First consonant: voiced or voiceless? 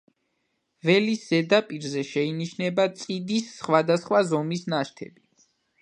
voiced